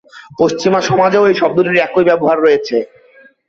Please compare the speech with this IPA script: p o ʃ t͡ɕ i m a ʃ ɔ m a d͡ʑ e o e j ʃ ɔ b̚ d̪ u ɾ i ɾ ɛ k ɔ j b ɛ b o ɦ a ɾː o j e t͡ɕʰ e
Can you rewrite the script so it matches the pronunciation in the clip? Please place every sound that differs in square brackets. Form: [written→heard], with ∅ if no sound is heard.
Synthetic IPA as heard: p o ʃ t͡ɕ i m a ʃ ɔ m a d͡ʑ e o e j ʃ ɔ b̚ d̪ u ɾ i ɾ ɛ k [ɔ→o] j b ɛ b o ɦ a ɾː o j e t͡ɕʰ e